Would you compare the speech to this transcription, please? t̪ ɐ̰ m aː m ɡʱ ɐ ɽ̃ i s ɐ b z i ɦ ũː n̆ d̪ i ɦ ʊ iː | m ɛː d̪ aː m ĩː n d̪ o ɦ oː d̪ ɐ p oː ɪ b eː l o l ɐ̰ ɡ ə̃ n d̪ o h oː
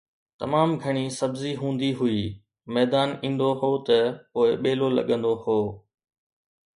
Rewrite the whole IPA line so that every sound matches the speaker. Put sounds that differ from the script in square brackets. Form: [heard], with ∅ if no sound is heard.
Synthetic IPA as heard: t̪ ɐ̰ m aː m ɡʱ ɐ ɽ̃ i s ɐ b z i ɦ ũː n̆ d̪ i ɦ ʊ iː | m ɛː d̪ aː [n] ĩː n d̪ o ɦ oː [t̪] ɐ p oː ɪ [ɓ] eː l o l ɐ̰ [ɠ] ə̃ n d̪ o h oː